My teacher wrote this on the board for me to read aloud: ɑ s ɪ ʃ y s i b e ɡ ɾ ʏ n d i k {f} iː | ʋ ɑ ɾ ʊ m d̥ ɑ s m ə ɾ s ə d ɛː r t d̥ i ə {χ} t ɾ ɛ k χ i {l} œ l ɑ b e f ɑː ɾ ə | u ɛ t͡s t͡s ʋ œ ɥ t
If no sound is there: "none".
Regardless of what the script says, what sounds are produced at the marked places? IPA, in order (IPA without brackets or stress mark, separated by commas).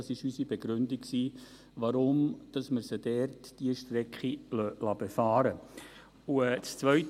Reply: s, ʃ, l